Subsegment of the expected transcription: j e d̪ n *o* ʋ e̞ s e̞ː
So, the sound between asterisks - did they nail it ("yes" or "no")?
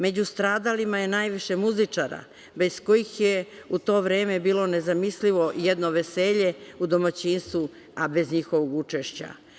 yes